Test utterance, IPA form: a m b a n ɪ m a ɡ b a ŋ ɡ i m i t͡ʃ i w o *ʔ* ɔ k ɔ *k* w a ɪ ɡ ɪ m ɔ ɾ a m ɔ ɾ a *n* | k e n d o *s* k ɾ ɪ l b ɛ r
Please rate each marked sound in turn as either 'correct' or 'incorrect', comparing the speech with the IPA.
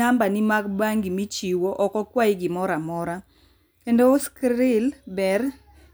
correct, correct, incorrect: none, correct

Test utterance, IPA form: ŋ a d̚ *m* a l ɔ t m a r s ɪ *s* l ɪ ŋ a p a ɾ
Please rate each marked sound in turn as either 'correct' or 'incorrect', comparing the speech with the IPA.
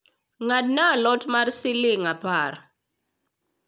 incorrect: n, incorrect: none

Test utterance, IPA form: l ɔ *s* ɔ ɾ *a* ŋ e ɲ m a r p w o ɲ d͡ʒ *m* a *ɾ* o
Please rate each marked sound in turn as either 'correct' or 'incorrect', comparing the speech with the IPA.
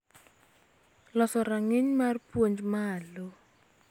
correct, correct, correct, incorrect: l

